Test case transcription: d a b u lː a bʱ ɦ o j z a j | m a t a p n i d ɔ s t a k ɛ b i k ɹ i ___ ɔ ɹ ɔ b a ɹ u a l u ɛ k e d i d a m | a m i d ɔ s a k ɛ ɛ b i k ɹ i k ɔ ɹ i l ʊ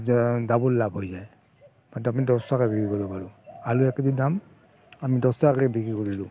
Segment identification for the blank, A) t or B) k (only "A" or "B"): B